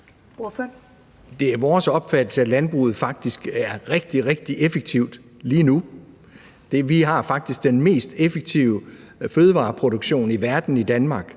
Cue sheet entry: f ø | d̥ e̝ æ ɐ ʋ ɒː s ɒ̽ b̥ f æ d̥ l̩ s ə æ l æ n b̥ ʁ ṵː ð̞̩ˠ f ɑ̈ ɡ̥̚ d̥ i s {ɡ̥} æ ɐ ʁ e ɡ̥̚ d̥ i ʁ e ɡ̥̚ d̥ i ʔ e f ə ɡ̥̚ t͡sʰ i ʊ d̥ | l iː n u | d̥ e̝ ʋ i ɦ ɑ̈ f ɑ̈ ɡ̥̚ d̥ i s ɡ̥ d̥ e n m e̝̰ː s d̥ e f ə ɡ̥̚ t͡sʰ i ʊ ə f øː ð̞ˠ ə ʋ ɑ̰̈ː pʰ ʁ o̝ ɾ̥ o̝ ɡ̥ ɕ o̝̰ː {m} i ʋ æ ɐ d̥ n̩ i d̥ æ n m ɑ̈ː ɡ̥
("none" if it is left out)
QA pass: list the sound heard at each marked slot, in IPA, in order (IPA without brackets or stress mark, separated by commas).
ɡ̥, n